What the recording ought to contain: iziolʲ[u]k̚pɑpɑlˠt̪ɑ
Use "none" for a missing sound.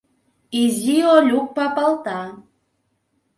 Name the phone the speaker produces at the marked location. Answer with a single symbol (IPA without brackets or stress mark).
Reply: u